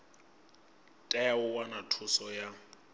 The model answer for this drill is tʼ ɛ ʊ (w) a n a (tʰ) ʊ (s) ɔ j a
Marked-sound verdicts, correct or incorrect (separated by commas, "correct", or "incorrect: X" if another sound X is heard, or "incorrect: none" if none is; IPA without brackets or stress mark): correct, correct, correct